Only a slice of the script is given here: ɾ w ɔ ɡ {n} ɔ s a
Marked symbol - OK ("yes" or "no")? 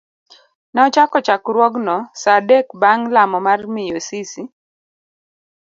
yes